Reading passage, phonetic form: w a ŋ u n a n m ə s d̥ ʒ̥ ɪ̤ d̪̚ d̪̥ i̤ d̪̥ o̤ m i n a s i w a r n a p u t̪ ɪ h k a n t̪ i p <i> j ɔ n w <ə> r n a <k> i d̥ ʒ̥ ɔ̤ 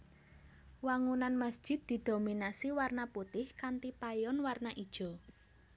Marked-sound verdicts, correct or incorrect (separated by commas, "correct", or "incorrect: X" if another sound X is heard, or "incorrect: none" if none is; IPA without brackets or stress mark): incorrect: a, incorrect: a, incorrect: ʔ